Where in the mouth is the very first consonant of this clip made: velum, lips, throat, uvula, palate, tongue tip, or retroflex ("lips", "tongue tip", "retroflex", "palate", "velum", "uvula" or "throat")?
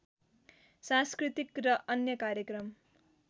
tongue tip